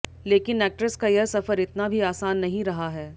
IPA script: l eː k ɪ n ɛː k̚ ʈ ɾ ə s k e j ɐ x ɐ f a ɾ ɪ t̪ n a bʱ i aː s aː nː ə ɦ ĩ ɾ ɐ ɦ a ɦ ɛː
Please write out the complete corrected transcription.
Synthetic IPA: l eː k ɪ n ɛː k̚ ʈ ɾ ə s k a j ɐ s ɐ f ə ɾ ɪ t̪ n a bʱ i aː s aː nː ɐ ɦ ĩ ɾ ɐ ɦ a ɦ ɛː

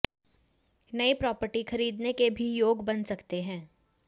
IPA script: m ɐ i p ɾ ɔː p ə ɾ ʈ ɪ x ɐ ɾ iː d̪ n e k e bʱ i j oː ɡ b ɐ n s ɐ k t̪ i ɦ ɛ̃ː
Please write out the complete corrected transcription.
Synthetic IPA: n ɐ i p ɾ ɔː p ə ɾ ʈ i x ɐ ɾ iː d̪ n e k e bʱ i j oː ɡ b ɐ n s ɐ k t̪ e ɦ ɛ̃ː

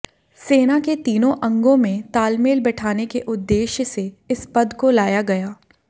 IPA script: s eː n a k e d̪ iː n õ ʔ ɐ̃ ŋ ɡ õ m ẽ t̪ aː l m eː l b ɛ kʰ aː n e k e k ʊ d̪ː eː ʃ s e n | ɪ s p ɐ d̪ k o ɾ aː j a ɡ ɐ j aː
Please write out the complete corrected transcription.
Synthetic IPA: s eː n a k e t̪ iː n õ ʔ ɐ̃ ŋ ɡ õ m ẽ t̪ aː l m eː l b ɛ ʈʰ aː n e k e ʔ ʊ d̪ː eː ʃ s e | ɪ s p ɐ d̪ k o l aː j a ɡ ɐ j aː

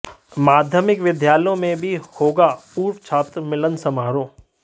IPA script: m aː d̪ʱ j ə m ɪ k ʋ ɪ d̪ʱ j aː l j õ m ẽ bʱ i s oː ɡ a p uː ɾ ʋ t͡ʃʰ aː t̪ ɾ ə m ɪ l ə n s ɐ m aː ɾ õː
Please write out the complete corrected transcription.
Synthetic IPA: m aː d̪ʱ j ə m ɪ k ʋ ɪ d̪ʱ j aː l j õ m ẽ bʱ i h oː ɡ a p uː ɾ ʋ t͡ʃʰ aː t̪ ɾ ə m ɪ l ə n s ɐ m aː ɾ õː

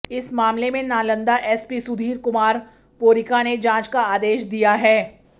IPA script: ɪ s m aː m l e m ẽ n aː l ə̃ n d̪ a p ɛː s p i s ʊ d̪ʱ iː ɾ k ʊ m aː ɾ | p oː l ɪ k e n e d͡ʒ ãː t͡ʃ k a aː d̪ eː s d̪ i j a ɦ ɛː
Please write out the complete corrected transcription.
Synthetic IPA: ɪ s m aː m l e m ẽ n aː l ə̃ n d̪ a ʔ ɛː s p i s ʊ d̪ʱ iː ɾ k ʊ m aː ɾ | p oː ɾ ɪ k a n e d͡ʒ ãː t͡ʃ k a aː d̪ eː ʃ d̪ i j a ɦ ɛː

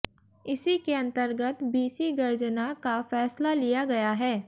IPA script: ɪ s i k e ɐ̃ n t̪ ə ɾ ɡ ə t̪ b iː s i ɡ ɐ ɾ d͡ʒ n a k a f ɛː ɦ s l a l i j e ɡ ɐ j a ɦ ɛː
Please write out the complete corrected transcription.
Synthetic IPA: ɪ s i k e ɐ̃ n t̪ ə ɾ ɡ ə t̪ b iː s i ɡ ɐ ɾ d͡ʒ n a k a f ɛː s l a l i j a ɡ ɐ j a ɦ ɛː

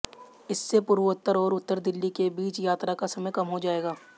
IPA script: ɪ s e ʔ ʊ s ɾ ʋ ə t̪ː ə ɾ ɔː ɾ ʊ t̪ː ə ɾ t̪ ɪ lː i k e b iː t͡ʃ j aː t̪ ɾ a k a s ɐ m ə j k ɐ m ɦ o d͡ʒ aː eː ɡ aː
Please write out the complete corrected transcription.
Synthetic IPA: ɪ sː e p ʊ ɾ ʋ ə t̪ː ə ɾ ɔː ɾ ʊ t̪ː ə ɾ d̪ ɪ lː i k e b iː t͡ʃ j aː t̪ ɾ a k a s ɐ m ə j k ɐ m ɦ o d͡ʒ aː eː ɡ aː

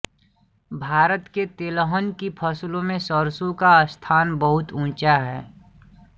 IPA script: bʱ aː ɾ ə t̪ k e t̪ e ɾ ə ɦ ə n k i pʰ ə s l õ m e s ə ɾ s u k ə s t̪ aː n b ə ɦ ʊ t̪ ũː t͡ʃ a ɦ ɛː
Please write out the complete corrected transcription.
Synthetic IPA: bʱ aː ɾ ə t̪ k e t̪ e l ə ɦ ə n k i pʰ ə s l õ m ẽ s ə ɾ s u k a s t̪ʰ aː n b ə ɦ ʊ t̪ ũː t͡ʃ a ɦ ɛː

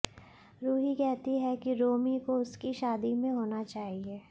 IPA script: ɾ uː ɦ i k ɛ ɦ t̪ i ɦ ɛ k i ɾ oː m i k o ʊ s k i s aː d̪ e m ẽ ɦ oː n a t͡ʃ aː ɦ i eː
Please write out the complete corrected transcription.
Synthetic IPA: ɾ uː ɦ i k ɛ ɦ t̪ i ɦ ɛ k i ɾ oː m i k o ʊ s k i ʃ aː d̪ i m ẽ ɦ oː n a t͡ʃ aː ɦ i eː

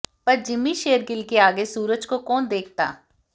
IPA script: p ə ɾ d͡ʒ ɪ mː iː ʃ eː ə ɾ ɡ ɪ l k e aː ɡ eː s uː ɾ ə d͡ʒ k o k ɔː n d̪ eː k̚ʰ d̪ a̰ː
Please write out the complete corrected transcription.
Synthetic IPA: p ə ɾ d͡ʒ ɪ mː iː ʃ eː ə ɾ ɡ ɪ l k e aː ɡ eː s uː ɾ ə d͡ʒ k o k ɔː n d̪ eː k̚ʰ t̪ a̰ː

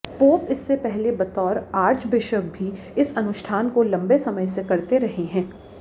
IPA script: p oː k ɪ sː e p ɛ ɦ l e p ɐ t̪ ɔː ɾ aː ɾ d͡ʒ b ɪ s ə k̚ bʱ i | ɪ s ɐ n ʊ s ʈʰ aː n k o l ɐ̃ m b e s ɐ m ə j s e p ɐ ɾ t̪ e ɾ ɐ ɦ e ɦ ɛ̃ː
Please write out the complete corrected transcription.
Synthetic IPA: p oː p ɪ sː e p ɛ ɦ l e b ɐ t̪ ɔː ɾ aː ɾ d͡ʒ b ɪ ʃ ə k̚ bʱ i | ɪ s ɐ n ʊ ʃ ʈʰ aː n k o l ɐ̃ m b e s ɐ m ə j s e k ɐ ɾ t̪ e ɾ ɐ ɦ e ɦ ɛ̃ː

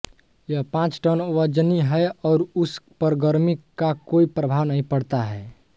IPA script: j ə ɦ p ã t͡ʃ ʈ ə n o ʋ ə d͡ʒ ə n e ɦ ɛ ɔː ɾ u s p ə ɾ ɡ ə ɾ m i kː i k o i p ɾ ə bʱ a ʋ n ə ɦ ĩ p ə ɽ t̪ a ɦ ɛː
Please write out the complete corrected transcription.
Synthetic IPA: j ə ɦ p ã t͡ʃ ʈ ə n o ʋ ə d͡ʒ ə n i ɦ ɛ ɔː ɾ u s p ə ɾ ɡ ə ɾ m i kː a k o i p ɾ ə bʱ a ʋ n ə ɦ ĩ p ə ɽ t̪ a ɦ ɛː

